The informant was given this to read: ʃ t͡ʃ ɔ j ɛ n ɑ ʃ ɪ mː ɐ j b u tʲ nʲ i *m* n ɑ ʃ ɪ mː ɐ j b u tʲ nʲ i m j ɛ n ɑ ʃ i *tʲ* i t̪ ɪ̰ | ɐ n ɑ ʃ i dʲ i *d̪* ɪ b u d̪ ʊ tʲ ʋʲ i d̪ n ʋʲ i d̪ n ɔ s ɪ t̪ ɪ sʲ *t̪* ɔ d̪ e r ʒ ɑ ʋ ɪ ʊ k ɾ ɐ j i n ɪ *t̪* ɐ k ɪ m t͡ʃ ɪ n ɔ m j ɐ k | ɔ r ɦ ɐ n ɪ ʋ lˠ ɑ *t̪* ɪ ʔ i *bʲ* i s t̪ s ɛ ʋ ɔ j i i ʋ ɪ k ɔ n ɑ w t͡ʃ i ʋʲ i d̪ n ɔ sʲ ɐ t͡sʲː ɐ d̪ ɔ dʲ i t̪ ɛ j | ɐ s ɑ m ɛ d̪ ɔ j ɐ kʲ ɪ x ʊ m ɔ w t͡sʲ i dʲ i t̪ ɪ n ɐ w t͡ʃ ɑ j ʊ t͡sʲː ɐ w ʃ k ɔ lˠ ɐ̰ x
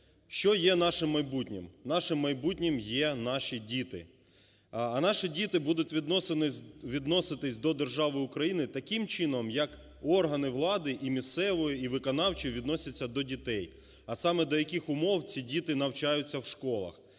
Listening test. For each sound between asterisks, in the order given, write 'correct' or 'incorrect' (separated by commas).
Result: correct, incorrect, incorrect, incorrect, correct, incorrect, incorrect